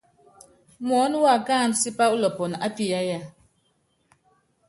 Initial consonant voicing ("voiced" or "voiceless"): voiced